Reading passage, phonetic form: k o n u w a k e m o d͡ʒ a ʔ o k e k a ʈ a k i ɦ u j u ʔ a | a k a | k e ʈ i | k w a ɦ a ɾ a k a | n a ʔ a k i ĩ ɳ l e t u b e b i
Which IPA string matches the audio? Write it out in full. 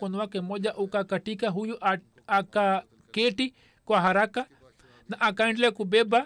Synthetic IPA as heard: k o n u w a k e m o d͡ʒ a ʔ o k a k a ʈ i k a ɦ u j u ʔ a | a k a | k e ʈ i | k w a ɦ a ɾ a k a | n a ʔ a k a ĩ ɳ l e k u b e b a